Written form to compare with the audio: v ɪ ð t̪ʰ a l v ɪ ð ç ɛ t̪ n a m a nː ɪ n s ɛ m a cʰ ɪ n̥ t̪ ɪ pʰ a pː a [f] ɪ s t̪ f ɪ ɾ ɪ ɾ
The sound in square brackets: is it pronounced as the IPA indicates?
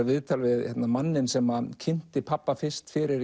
yes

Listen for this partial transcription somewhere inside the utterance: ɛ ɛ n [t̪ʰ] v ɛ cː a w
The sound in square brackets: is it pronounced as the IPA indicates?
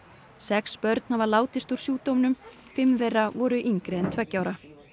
yes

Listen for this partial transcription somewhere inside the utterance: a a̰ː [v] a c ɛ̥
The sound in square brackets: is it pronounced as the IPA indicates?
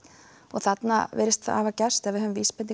yes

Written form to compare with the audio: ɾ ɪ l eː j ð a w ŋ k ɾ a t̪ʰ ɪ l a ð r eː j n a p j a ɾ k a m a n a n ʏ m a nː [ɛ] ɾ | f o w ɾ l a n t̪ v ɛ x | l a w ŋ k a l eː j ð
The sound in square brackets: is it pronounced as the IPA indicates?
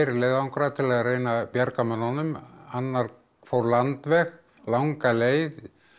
no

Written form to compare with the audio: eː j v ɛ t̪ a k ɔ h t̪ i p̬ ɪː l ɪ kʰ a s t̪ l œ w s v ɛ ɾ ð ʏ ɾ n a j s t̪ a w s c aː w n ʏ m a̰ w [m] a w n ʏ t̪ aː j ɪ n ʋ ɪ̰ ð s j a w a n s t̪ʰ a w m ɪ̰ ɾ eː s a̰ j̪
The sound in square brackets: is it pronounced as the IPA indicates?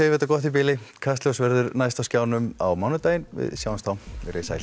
yes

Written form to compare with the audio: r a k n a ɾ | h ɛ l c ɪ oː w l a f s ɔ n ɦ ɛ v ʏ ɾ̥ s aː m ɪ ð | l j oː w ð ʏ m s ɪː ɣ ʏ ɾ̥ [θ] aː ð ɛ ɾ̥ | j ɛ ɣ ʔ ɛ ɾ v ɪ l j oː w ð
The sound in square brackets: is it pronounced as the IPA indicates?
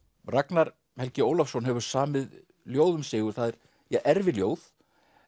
yes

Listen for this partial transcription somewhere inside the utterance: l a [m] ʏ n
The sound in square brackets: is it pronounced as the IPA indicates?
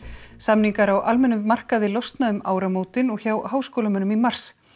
yes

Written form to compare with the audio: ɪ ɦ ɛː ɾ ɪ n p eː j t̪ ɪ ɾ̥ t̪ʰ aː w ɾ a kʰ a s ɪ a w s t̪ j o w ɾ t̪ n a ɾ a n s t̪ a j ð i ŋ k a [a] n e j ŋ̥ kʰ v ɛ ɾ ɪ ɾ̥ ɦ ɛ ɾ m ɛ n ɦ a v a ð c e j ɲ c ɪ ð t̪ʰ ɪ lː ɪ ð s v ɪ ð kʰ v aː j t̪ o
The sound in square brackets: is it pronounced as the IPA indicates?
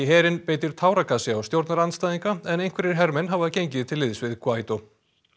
no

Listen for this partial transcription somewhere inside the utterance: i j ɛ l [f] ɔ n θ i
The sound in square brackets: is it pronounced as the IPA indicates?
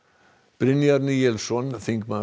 no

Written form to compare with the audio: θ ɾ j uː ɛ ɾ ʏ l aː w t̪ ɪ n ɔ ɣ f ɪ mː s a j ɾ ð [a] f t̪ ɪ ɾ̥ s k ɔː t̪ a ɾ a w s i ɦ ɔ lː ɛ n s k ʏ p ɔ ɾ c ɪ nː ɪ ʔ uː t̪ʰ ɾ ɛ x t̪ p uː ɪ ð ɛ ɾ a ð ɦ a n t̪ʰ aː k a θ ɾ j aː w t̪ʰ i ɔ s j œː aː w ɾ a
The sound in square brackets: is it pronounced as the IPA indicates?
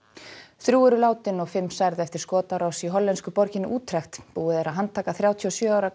no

